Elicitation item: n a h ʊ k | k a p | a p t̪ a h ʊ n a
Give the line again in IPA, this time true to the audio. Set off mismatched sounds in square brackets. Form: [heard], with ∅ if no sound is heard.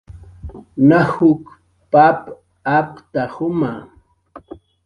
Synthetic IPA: n a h ʊ k | [p] a p | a p t̪ a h ʊ [m] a

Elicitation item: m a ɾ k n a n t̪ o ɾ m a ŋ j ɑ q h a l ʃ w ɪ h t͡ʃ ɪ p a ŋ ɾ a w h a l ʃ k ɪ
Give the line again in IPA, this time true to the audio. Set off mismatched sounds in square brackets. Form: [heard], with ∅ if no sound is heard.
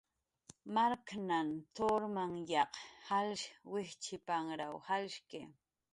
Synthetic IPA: m a ɾ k n a n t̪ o ɾ m a ŋ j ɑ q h a l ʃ w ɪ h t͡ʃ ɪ p a ŋ ɾ a w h a l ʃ k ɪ

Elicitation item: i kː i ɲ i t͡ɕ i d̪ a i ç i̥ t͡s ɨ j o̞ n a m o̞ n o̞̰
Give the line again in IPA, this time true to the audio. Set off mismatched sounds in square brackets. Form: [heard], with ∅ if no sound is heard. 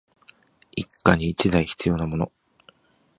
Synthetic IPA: i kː [a] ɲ [iː] t͡ɕ i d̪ a i ç i̥ t͡s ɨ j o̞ n a m o̞ n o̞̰

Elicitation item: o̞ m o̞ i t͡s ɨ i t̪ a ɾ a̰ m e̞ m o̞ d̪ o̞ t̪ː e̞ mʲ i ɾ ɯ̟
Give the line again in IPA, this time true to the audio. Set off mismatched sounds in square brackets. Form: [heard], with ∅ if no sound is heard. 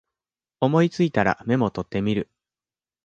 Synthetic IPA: o̞ m o̞ i t͡s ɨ i t̪ a ɾ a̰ m e̞ m o̞ [t̪] o̞ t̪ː e̞ mʲ i ɾ ɯ̟

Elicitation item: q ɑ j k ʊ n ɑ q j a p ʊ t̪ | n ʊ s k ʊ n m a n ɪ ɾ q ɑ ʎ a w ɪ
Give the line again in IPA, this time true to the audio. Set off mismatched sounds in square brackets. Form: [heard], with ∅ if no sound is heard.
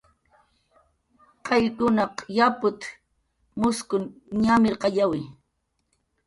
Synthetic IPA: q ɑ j k ʊ n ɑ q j a p ʊ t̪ | [m] ʊ s k ʊ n [ɲ] a [m] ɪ ɾ q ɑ ʎ a w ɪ

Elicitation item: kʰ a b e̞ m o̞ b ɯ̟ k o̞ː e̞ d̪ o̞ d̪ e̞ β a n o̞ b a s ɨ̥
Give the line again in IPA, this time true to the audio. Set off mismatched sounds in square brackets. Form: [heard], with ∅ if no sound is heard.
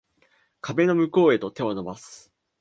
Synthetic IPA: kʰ a b e̞ [n] o̞ [m] ɯ̟ k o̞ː e̞ [t̪] o̞ [t̪] e̞ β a n o̞ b a s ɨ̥

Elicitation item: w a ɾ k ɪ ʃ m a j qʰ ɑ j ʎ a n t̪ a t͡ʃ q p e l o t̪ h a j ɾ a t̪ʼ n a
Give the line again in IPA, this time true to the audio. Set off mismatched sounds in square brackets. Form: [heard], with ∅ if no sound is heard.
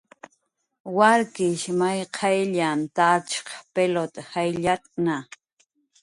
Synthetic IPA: w a ɾ k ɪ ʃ m a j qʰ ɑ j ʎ a n t̪ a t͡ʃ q p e l o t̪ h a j [ʎ] a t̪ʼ n a

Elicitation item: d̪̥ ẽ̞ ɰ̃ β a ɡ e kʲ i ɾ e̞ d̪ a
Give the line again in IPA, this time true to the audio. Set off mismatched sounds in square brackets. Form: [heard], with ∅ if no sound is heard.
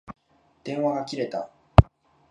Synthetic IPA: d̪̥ ẽ̞ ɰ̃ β a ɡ [a] kʲ i ɾ e̞ [t̪] a

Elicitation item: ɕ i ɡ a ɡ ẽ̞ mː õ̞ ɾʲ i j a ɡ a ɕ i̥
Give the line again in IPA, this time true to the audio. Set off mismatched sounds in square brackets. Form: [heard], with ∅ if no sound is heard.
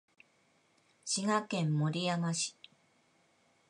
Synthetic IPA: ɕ i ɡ a [k] ẽ̞ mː [o̞] ɾʲ i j a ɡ a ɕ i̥

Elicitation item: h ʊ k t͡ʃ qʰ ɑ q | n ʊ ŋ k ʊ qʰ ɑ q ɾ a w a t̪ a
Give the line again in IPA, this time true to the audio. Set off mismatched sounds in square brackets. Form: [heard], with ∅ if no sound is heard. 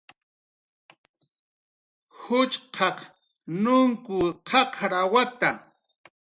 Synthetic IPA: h ʊ [∅] t͡ʃ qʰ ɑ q | n ʊ ŋ k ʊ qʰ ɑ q ɾ a w a t̪ a

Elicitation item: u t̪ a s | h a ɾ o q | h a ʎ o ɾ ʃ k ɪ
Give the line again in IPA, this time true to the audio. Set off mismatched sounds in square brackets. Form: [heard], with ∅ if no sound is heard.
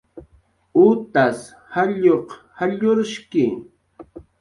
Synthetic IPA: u t̪ a s | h a [ʎ] o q | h a ʎ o ɾ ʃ k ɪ

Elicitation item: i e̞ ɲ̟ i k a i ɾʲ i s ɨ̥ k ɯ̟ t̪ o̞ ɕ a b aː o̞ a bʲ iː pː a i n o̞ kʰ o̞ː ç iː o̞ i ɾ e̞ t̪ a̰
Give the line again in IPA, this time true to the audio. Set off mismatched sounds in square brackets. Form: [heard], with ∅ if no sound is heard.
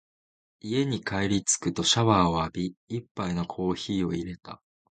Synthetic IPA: i e̞ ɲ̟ i k a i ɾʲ i [t͡s] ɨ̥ k ɯ̟ t̪ o̞ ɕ a [β] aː o̞ a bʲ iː pː a i n o̞ kʰ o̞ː ç iː o̞ i ɾ e̞ t̪ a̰

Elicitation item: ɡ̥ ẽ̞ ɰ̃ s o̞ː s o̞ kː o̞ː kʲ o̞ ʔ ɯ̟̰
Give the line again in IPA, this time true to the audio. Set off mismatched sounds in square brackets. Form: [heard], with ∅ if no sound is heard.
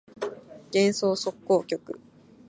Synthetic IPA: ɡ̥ ẽ̞ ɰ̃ s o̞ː s o̞ kː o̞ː kʲ o̞ [k] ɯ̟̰

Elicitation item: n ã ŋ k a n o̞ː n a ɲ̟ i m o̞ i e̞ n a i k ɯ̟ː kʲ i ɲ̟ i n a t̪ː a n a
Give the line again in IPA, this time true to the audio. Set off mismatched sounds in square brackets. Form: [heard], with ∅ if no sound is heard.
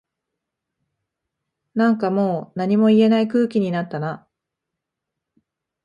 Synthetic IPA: n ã ŋ k a [m] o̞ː n a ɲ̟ i m o̞ i e̞ n a i k ɯ̟ː kʲ i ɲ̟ i n a t̪ː a n a

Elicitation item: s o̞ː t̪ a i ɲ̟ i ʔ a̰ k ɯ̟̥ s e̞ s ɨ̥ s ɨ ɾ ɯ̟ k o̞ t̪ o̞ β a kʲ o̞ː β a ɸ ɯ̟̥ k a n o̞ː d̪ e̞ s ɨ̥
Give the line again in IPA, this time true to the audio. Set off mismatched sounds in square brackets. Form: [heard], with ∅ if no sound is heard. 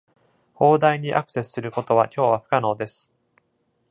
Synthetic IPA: [h] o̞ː [d̪] a i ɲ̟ i ʔ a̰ k ɯ̟̥ s e̞ s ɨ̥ s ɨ ɾ ɯ̟ k o̞ t̪ o̞ β a kʲ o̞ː β a ɸ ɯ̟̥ k a n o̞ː d̪ e̞ s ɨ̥

